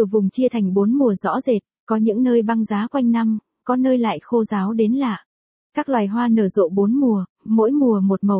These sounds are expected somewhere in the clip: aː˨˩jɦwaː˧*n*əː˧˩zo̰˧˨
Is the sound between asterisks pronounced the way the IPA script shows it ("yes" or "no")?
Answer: yes